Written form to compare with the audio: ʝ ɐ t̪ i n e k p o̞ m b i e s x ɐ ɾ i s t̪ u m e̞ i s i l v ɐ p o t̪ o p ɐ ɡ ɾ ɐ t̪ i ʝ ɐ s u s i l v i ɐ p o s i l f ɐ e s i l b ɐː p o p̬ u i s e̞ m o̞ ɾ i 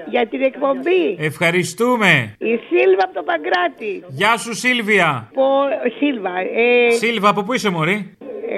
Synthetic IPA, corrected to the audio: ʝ ɐ t̪ i n e k p o̞ m b i e f x ɐ ɾ i s t̪ u m e̞ i s i l v ɐ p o t̪ o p ɐ ɡ ɾ ɐ t̪ i ʝ ɐ s u s i l v i ɐ p o s i l v ɐ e s i l v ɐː p o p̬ u i s e̞ m o̞ ɾ i